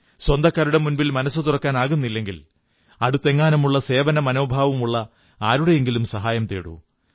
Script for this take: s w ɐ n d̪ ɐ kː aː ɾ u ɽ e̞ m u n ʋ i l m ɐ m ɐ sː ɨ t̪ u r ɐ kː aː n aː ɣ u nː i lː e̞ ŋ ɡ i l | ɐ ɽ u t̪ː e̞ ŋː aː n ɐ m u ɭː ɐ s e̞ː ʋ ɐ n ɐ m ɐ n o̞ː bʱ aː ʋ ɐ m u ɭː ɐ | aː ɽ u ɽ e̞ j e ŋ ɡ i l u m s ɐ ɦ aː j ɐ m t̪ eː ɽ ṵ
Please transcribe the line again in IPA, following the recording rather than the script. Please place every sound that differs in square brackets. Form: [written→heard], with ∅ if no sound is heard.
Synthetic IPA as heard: s w ɐ n d̪ ɐ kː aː ɾ u ɽ e̞ m u n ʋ i l m ɐ [m→n] ɐ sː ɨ t̪ u r ɐ kː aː n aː ɣ u nː i lː e̞ ŋ ɡ i l | ɐ ɽ u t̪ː e̞ ŋː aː n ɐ m u ɭː ɐ s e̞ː ʋ ɐ n ɐ m ɐ n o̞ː bʱ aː ʋ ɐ m u ɭː ɐ | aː [ɽ→ɾ] u ɽ e̞ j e ŋ ɡ i l u m s ɐ ɦ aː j ɐ m t̪ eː ɽ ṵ